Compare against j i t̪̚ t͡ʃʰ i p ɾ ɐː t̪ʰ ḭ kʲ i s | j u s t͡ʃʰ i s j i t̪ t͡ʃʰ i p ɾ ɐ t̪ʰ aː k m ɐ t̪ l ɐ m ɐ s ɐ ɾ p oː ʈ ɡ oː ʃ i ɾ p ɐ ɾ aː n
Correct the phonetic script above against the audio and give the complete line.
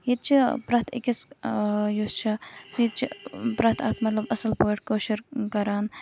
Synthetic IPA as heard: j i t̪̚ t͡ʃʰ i p ɾ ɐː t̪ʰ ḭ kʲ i s | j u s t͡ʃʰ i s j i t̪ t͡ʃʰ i p ɾ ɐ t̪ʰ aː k m ɐ t̪ l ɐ b ɐ s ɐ l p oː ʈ k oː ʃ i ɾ k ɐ ɾ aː n